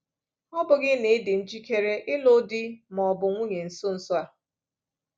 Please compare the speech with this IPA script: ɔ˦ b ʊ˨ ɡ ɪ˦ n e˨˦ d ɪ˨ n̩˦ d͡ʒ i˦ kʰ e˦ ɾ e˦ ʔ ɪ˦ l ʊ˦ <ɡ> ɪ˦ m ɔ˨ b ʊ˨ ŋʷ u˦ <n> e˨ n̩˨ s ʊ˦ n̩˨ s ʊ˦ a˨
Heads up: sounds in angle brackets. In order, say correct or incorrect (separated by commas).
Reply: incorrect, incorrect